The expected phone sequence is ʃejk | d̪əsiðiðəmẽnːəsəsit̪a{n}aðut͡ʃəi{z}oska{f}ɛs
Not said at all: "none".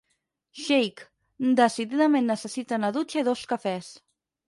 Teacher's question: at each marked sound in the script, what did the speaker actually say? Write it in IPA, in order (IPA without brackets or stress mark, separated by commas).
n, ð, f